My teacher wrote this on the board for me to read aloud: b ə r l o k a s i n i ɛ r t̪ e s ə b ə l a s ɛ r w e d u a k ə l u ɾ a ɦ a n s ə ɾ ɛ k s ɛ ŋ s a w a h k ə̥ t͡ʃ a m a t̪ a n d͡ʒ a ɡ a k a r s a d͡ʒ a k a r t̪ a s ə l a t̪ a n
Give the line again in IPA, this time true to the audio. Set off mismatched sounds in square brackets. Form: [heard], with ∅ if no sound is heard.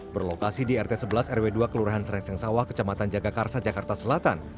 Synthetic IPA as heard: b ə r l o k a s i [d] i ɛ r t̪ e s ə b ə l a s ɛ r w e d u a k ə l u ɾ a ɦ a n s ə ɾ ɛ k s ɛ ŋ s a w a h k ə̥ t͡ʃ a m a t̪ a n d͡ʒ a ɡ a k a r s a d͡ʒ a k a r t̪ a s ə l a t̪ a n

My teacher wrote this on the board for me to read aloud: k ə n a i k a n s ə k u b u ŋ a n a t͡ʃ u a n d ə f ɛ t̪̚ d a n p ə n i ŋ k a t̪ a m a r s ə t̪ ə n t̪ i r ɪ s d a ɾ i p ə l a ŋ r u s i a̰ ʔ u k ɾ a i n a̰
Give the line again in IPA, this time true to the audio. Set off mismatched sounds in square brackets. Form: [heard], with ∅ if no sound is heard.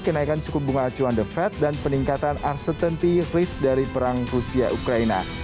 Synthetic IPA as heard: k ə n a i k a n s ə k u b u ŋ a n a t͡ʃ u a n d ə f ɛ t̪̚ d a n p ə n i ŋ k a t̪ a [n] a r s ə t̪ ə n t̪ i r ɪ s d a ɾ i p ə [ɾ] a ŋ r u s i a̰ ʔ u k ɾ a i n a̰

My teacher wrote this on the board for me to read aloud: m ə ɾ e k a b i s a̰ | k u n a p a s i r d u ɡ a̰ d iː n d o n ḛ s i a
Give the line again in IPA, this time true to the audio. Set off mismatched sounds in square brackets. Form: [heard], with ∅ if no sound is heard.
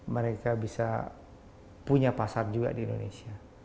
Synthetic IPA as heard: m ə ɾ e k a b i s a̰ | [p] u [ɲ] a p a s [a] r [d͡ʒ] u ɡ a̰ d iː n d o n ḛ s i a

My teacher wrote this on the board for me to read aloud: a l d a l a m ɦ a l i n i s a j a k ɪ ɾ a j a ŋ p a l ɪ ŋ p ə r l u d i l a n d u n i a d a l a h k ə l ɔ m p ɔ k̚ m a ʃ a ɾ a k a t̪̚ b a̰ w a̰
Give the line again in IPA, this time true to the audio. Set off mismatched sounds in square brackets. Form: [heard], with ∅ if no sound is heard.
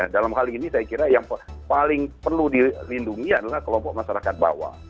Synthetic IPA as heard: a [∅] d a l a m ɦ a l i n i s a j a k [i] ɾ a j a ŋ p a l ɪ ŋ p ə r l u d i l [i] n d u [ŋ] i a d a l a h k ə l ɔ m p ɔ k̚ m a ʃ a ɾ a k a t̪̚ b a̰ w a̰

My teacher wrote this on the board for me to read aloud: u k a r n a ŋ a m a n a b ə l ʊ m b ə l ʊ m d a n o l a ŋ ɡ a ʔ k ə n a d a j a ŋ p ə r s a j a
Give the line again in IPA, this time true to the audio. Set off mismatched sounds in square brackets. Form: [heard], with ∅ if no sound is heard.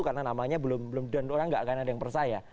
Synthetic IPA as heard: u k a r n a [n] a m a [ɲ] a b ə l ʊ m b ə l ʊ m d a n o [ɾ] a ŋ ɡ a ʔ k [a] n a d a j a ŋ p ə r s a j a

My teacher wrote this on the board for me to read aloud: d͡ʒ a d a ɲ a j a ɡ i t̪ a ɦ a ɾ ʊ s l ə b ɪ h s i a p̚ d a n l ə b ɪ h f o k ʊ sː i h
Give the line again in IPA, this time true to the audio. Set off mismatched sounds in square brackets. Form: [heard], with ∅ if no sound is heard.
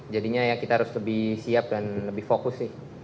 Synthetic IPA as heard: d͡ʒ a d [i] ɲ a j a [k] i t̪ a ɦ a ɾ ʊ s l ə b ɪ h s i a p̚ d a n l ə b ɪ h f o k ʊ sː [ɪ] h

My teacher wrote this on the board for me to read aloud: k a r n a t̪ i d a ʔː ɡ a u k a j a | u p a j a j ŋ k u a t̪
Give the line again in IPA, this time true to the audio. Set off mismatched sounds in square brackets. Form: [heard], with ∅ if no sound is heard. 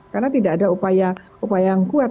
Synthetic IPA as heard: k a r n a t̪ i d a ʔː [d] a u [p] a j a | u p a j a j ŋ k u a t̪

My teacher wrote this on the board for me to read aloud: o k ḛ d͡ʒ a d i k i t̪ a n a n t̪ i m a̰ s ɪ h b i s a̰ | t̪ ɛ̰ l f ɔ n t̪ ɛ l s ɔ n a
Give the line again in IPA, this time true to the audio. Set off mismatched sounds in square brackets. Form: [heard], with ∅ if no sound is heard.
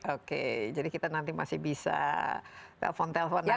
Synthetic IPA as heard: o k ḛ d͡ʒ a d i k i t̪ a n a n t̪ i m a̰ s ɪ h b i s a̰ | t̪ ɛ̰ l f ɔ n t̪ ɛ l [f] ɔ n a

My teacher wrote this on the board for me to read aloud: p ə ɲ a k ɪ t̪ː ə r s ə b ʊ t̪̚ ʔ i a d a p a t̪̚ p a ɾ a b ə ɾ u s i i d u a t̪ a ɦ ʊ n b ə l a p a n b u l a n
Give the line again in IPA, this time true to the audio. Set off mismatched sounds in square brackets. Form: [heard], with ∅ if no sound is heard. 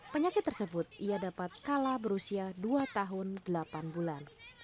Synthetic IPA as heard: p ə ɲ a k ɪ t̪ː ə r s ə b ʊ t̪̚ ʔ i a d a p a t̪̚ [k] a [l] a b ə ɾ u s i [a] d u a t̪ a ɦ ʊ n [d] ə l a p a n b u l a n

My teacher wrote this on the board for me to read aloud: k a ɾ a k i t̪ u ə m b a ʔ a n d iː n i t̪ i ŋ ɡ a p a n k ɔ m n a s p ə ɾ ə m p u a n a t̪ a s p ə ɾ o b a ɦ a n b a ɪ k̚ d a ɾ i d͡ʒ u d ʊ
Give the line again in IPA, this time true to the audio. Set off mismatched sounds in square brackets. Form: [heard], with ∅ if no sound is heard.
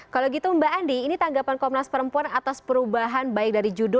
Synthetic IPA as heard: k a [l] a [ɡ] i t̪ u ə m b a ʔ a n d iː n i t̪ [a] ŋ ɡ a p a n k ɔ m n a s p ə ɾ ə m p u a n a t̪ a s p ə ɾ [u] b a ɦ a n b a ɪ k̚ d a ɾ i d͡ʒ u d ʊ

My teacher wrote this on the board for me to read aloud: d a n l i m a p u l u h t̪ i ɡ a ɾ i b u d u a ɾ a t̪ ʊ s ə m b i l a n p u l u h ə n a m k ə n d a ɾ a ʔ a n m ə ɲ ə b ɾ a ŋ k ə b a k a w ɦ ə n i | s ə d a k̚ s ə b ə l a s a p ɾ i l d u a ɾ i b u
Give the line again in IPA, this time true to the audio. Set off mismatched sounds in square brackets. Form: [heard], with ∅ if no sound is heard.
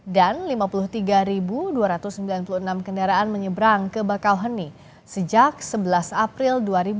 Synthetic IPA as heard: d a n l i m a p u l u h t̪ i ɡ a ɾ i b u d u a ɾ a t̪ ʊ s ə m b i l a n p u l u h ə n a m k ə n d a ɾ a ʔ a n m ə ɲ ə b ɾ a ŋ k ə b a k a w ɦ ə n i | s ə [d͡ʒ] a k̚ s ə b ə l a s a p ɾ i l d u a ɾ i b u

